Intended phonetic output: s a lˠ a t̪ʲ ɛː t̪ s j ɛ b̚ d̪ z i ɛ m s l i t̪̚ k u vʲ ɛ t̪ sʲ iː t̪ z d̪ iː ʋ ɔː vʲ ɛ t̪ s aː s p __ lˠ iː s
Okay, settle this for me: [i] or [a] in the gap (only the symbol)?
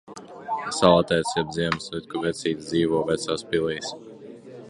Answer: i